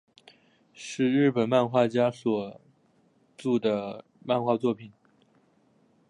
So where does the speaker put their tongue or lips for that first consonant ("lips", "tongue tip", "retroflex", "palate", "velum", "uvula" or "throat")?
retroflex